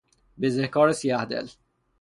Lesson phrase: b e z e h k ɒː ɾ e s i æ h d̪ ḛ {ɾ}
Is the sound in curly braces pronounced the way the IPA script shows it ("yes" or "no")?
no